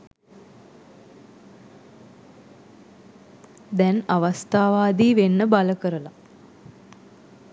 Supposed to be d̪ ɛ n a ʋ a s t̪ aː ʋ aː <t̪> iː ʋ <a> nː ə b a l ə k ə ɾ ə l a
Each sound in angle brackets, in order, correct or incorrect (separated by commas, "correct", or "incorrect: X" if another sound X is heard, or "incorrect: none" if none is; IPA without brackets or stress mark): incorrect: d̪, incorrect: e